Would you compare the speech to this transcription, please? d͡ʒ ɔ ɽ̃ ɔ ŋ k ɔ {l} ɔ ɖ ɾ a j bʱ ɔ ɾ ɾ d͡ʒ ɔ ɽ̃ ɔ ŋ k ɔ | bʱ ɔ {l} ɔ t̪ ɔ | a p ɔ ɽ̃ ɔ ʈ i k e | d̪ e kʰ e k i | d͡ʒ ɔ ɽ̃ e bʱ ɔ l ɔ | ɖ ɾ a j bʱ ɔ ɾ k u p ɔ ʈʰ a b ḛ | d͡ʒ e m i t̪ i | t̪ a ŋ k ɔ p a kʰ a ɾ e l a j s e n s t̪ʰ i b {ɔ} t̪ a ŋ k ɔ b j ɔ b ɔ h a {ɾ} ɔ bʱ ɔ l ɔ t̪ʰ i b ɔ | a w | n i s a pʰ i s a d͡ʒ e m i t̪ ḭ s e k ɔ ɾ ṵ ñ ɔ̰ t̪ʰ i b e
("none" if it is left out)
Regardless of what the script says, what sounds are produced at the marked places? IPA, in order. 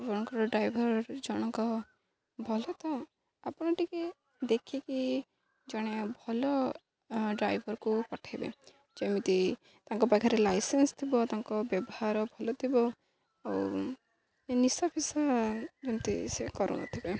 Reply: ɾ, l, ɔ, ɾ

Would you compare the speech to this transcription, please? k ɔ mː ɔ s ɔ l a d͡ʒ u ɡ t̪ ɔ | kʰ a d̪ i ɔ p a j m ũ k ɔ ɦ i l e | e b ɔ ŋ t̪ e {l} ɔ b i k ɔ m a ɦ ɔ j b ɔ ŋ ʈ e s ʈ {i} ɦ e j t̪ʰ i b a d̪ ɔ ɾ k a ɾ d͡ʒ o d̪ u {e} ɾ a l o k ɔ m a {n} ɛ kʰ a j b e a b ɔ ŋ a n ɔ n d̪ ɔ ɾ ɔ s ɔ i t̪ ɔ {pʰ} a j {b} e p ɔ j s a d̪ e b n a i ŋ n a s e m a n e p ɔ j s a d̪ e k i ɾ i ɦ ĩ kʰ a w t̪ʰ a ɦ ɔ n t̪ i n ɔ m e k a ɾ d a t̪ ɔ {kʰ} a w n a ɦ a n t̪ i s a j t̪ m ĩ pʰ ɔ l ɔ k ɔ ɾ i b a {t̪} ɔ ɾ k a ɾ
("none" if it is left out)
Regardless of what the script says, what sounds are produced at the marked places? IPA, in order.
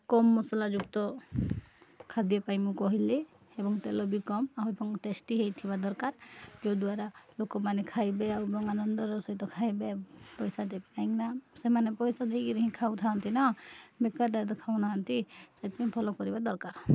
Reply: l, i, a, n, kʰ, b, kʰ, d̪

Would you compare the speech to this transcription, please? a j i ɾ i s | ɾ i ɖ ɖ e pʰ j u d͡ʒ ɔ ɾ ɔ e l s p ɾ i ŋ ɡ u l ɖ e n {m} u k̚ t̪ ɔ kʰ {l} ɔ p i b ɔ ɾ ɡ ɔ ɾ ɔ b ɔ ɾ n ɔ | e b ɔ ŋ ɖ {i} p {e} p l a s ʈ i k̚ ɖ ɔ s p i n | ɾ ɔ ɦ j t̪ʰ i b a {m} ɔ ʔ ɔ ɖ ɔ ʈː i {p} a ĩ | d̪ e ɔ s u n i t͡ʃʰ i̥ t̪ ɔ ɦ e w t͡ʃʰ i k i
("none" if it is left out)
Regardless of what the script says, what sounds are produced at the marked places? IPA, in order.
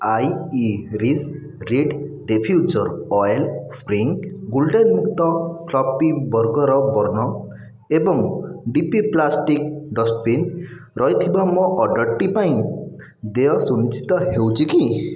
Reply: m, l, i, i, m, p

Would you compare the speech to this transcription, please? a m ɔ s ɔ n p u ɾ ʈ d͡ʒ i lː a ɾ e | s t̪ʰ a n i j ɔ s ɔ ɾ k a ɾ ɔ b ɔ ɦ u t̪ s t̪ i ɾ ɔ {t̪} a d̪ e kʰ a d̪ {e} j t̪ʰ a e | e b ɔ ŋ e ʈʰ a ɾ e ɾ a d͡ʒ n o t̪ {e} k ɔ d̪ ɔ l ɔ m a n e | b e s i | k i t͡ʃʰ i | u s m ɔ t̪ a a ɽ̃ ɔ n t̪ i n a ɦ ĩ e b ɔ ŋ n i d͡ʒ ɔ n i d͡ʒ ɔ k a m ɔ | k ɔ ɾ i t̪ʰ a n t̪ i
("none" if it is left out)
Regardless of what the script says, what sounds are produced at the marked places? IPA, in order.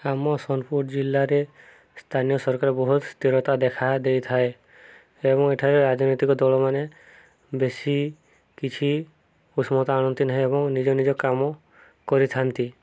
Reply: t̪, e, i

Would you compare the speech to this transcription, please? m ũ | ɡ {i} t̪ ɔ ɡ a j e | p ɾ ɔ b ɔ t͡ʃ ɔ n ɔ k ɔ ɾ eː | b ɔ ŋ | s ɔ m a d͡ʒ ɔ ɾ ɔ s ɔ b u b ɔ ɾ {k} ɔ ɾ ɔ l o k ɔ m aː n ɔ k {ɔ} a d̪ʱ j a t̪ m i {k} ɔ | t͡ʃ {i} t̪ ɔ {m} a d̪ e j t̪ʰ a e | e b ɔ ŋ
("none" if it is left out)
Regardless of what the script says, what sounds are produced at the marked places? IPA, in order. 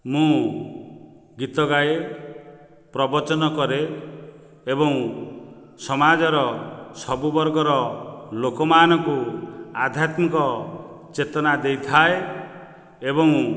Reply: i, ɡ, u, k, e, n

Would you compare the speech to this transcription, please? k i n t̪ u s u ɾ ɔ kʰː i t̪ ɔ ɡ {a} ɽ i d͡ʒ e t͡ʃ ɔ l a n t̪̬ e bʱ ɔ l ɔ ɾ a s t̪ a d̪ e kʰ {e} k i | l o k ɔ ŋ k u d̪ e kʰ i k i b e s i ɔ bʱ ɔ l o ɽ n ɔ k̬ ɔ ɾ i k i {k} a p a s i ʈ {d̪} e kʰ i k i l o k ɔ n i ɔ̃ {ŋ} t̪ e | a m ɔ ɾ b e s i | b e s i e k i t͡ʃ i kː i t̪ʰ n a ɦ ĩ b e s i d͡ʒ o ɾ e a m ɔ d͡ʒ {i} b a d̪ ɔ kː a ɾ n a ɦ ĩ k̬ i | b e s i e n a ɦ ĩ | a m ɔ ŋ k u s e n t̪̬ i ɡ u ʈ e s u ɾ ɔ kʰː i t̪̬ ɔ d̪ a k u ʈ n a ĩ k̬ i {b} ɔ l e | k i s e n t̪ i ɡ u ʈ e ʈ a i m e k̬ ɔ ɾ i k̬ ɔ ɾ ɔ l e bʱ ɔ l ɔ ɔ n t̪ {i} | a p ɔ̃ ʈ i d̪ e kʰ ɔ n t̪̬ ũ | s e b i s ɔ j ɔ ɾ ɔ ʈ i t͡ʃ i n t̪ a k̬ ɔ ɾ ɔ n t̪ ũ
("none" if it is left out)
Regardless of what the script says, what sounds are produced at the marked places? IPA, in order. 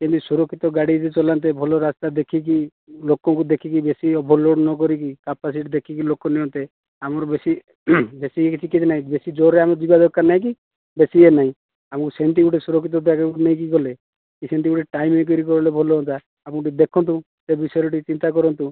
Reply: a, i, k, d̪, n, i, ɡ, a

